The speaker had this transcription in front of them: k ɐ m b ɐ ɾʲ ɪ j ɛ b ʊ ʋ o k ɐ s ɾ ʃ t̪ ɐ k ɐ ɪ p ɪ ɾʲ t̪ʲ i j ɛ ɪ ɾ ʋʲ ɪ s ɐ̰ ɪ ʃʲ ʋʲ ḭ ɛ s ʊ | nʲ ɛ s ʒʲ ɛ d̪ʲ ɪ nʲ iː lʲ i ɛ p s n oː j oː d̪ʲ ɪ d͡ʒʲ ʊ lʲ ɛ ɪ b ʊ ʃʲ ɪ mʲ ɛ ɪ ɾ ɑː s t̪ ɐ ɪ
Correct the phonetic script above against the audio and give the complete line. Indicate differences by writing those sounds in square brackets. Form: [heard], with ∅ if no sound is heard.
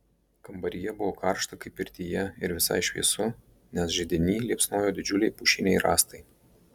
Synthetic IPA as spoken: k ɐ m b ɐ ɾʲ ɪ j ɛ b ʊ ʋ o k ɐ [∅] ɾ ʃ t̪ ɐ k ɐ ɪ p ɪ ɾʲ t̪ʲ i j ɛ ɪ ɾ ʋʲ ɪ s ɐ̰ ɪ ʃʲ ʋʲ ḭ ɛ s ʊ | nʲ ɛ s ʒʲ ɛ d̪ʲ ɪ nʲ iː lʲ i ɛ p s n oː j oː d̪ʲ ɪ d͡ʒʲ ʊ lʲ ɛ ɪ [p] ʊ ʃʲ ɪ [nʲ] ɛ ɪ ɾ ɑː s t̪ ɐ ɪ